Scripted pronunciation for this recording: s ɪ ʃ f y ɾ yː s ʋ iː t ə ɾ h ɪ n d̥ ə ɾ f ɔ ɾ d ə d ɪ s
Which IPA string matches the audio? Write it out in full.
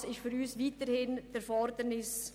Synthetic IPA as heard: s ɪ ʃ f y ɾ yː s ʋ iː t ə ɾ h ɪ n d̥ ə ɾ f ɔ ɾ d ə n ɪ s